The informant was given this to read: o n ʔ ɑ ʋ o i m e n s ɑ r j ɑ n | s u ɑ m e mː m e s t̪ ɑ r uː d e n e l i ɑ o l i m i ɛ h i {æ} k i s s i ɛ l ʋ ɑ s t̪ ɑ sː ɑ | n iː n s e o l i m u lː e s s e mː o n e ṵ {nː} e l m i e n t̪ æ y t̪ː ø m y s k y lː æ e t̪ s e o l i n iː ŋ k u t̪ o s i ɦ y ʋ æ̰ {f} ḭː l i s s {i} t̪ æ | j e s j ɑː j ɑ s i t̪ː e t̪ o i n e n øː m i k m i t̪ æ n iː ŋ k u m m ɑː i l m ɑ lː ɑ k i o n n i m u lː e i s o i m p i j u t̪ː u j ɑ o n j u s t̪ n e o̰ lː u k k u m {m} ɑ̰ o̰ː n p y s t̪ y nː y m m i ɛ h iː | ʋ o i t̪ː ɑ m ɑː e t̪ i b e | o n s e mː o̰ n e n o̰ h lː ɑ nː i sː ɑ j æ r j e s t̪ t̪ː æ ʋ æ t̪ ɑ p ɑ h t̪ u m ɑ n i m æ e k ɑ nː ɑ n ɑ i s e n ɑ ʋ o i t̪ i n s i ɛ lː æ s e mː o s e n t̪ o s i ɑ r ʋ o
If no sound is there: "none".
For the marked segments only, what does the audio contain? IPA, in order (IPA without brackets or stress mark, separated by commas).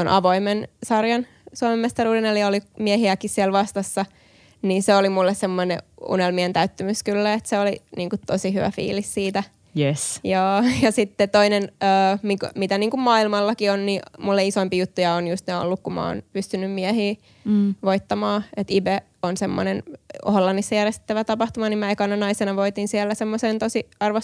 æ, n, f, iː, m